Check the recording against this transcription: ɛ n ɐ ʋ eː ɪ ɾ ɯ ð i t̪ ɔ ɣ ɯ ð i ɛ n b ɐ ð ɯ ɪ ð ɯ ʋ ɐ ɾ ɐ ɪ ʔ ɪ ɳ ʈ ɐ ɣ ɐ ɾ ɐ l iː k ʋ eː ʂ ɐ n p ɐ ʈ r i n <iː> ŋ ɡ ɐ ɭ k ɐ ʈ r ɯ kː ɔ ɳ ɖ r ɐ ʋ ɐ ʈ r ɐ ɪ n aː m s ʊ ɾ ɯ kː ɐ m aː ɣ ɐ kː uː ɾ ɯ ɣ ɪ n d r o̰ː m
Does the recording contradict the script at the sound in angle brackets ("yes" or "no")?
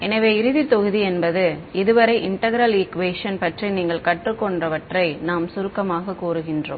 no